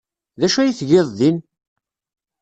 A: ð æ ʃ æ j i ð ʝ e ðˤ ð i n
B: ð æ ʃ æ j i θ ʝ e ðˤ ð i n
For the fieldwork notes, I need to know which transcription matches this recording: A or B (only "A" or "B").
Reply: B